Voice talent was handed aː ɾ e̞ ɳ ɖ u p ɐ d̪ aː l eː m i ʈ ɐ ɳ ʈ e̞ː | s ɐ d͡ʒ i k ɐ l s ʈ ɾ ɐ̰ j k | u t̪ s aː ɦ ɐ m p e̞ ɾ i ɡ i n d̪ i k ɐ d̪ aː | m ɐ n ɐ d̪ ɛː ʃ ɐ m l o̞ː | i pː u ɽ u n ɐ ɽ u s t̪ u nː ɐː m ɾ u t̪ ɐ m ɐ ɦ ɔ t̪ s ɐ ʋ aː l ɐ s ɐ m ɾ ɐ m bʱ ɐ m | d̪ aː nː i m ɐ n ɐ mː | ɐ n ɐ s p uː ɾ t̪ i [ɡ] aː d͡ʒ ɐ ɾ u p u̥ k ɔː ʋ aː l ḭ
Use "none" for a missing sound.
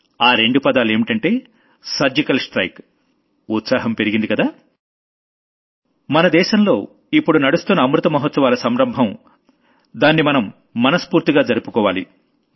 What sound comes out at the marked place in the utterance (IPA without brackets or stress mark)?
ɡ